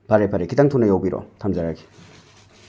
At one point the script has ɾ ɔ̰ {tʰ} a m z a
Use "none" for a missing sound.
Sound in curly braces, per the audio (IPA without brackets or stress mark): tʰ